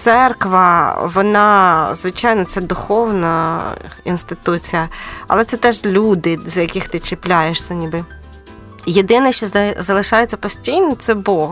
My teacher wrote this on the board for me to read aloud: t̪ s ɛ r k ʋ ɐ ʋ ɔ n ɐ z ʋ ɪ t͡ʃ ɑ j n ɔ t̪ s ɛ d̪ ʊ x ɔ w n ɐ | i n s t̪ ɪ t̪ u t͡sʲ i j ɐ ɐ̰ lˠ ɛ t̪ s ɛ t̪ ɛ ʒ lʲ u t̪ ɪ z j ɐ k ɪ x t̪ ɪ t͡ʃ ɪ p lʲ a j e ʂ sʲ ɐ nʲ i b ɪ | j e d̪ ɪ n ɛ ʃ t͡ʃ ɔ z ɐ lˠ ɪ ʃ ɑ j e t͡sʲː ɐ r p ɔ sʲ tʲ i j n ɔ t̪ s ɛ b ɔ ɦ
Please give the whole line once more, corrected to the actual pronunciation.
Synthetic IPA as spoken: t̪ s ɛ r k ʋ ɐ ʋ ɔ n ɑ z ʋ ɪ t͡ʃ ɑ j n ɔ t̪ s ɛ d̪ ʊ x ɔ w n ɐ | i n s t̪ ɪ t̪ u t͡sʲ i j ɐ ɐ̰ lˠ ɛ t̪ s ɛ t̪ ɛ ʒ lʲ u d̪ ɪ z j ɐ k ɪ x t̪ ɪ t͡ʃ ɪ p lʲ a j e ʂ sʲ ɐ nʲ i b ɪ | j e d̪ ɪ n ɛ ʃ t͡ʃ ɔ z ɐ lˠ ɪ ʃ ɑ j e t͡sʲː ɐ p ɔ sʲ tʲ i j n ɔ t̪ s ɛ b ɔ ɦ